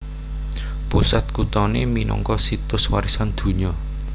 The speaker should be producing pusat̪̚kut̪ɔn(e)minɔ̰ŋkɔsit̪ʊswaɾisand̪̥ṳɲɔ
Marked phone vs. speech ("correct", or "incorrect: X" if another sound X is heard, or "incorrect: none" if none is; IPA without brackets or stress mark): correct